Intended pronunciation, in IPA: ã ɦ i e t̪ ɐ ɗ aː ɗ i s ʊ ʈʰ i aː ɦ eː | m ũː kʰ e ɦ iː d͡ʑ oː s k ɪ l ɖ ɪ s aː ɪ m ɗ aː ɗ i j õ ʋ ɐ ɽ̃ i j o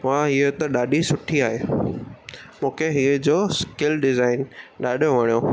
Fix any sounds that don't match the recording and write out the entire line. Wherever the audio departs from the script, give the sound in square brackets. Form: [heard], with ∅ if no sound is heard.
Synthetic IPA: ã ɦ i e t̪ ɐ ɗ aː ɗ i s ʊ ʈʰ i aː ɦ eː | m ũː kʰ e ɦ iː d͡ʑ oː s k ɪ l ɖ ɪ [z] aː ɪ [n] ɗ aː ɗ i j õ ʋ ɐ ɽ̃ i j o